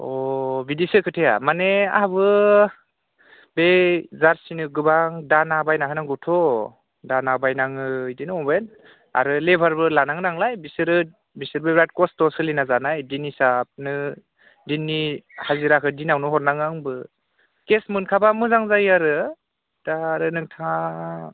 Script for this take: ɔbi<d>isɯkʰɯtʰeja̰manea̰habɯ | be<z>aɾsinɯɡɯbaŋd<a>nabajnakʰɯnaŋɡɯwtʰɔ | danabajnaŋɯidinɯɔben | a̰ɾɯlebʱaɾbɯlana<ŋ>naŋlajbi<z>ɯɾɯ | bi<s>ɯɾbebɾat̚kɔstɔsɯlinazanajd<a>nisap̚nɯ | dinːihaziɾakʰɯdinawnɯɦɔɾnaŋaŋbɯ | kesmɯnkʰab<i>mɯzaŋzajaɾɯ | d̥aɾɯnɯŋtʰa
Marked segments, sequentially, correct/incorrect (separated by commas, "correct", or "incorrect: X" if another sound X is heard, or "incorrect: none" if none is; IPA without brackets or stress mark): correct, correct, correct, correct, incorrect: s, correct, incorrect: i, incorrect: a